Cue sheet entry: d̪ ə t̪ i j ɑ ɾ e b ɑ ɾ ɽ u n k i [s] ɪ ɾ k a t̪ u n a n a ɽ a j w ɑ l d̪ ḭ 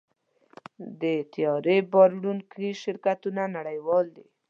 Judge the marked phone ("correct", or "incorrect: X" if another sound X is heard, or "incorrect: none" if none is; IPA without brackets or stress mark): incorrect: ʃ